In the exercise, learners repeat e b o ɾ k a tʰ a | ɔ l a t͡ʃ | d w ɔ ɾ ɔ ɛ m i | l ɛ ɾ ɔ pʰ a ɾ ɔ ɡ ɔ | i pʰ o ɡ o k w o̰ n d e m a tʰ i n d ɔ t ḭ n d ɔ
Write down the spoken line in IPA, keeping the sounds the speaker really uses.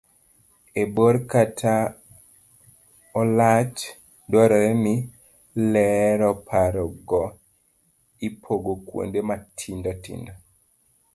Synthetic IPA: e b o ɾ k a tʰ a | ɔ l a t͡ʃ | d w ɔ ɾ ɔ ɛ m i | l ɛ ɾ ɔ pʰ a ɾ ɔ ɡ ɔ | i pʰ o ɡ o k w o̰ n d e m a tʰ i n d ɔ t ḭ n d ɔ